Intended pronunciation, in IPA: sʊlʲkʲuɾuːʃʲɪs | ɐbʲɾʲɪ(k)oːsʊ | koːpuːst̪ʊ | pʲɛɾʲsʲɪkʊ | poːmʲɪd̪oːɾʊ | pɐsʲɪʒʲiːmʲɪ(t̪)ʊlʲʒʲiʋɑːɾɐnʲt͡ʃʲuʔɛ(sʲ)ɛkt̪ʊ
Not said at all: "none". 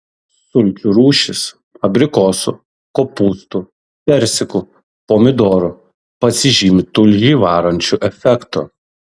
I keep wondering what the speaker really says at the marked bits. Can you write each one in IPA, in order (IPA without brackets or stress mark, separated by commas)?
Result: k, t̪, fʲ